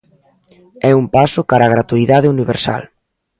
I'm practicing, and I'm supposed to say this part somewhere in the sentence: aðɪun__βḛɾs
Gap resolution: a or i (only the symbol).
i